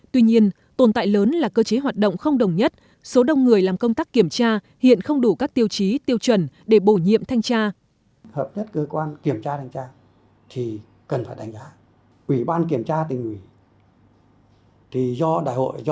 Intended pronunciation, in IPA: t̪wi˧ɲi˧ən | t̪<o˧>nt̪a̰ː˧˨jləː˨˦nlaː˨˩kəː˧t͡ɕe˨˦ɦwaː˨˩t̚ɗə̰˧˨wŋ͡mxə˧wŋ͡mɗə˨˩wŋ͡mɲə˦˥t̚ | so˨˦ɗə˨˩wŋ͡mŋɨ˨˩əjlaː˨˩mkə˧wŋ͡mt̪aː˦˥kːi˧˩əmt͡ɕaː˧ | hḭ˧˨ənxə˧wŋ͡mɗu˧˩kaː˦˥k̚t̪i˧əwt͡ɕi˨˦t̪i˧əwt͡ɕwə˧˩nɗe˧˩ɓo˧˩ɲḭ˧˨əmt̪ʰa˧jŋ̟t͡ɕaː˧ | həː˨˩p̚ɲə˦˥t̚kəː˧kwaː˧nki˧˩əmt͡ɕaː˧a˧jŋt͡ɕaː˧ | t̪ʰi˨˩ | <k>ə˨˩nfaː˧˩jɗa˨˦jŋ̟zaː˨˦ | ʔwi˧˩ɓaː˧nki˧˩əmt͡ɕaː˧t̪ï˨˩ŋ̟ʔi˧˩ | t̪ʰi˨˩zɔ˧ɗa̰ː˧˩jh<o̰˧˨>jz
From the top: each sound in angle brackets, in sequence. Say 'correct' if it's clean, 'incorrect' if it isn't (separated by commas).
incorrect, correct, correct